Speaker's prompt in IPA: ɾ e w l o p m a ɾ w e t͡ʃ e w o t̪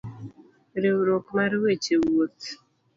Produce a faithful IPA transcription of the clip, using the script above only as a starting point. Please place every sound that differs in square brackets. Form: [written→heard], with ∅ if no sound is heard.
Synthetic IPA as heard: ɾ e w [l→ɾ] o [p→k] m a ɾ w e t͡ʃ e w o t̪